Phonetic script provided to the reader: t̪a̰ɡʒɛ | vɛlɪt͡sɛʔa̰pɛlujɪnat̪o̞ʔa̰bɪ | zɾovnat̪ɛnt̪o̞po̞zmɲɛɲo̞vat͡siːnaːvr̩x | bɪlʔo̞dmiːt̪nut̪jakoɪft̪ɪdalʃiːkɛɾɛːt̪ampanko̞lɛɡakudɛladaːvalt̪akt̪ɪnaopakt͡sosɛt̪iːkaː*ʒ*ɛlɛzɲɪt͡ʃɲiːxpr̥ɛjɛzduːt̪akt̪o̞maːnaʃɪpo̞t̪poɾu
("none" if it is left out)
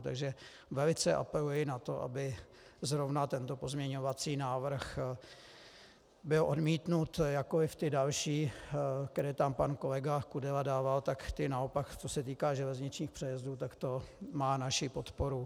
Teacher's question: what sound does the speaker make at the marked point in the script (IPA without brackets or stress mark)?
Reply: ʒ